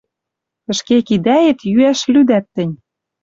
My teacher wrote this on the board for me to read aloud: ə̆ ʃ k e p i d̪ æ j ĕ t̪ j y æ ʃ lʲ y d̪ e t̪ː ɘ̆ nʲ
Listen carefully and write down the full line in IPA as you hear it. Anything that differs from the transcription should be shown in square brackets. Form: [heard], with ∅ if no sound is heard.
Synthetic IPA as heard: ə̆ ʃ k e [k] i d̪ æ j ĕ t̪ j y æ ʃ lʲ y d̪ [æ] t̪ː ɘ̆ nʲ